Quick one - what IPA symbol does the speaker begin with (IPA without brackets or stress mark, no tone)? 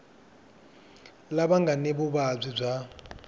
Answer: l